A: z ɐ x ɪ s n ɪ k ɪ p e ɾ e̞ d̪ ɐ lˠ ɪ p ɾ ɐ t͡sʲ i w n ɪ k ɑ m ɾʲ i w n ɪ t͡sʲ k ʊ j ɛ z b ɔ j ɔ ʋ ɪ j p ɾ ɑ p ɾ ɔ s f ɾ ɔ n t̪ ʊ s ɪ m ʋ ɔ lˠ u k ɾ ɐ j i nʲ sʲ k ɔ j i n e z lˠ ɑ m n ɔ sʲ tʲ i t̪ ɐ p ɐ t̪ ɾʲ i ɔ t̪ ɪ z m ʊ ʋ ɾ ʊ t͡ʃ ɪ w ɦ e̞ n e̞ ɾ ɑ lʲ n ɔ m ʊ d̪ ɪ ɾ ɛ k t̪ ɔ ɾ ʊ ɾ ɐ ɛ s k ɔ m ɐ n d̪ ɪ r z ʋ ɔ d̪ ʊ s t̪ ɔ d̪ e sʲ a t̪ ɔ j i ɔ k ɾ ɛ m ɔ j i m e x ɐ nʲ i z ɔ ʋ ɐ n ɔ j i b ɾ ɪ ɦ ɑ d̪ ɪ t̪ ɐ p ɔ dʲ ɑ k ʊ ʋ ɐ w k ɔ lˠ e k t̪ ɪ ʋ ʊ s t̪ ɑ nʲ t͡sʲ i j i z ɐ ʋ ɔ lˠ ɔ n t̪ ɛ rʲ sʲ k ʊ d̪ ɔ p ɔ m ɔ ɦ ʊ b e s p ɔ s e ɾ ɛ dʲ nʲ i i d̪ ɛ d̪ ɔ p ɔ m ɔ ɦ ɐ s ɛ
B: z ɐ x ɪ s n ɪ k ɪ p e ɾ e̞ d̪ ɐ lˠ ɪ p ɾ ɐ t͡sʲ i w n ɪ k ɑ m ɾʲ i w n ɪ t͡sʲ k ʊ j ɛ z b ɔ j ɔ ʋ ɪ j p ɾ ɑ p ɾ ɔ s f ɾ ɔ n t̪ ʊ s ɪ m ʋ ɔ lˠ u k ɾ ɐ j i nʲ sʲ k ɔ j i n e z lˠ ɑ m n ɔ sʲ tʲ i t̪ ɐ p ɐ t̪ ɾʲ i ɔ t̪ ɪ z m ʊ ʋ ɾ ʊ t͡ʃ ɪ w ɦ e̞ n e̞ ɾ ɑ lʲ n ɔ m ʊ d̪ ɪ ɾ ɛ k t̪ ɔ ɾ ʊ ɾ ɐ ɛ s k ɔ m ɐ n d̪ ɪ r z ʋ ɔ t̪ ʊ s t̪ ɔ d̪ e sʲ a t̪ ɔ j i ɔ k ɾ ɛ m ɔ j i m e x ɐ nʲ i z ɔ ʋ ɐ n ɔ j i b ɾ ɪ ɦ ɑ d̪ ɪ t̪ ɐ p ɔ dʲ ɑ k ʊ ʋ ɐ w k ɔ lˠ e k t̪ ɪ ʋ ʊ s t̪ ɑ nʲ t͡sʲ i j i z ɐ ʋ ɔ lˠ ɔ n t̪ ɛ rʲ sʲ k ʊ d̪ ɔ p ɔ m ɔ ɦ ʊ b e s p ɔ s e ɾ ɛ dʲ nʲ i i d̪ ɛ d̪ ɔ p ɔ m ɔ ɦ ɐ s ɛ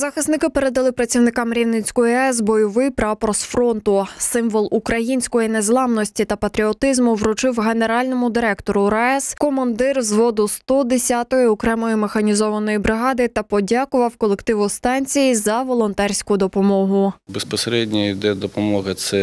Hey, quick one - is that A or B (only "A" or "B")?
A